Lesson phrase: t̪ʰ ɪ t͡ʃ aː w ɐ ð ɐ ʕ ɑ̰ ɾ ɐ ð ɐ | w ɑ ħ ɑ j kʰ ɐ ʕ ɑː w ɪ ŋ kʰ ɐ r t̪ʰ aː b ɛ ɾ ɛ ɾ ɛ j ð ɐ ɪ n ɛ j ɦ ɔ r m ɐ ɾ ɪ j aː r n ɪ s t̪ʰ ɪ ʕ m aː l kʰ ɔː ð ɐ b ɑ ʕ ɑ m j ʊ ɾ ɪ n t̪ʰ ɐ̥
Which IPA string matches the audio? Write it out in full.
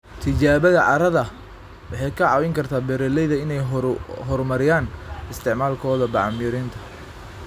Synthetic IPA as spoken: t̪ʰ ɪ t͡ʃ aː β ɐ ð ɐ ʕ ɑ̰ ɾ ɐ ð ɐ | w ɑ ħ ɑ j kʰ ɐ ʕ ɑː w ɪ ŋ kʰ ɐ r t̪ʰ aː b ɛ ɾ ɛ l ɛ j ð ɐ ɪ n ɛ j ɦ ɔ r m ɐ ɾ ɪ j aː n ɪ s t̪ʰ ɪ ʕ m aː l kʰ ɔː ð ɐ b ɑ ʕ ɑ m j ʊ ɾ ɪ n t̪ʰ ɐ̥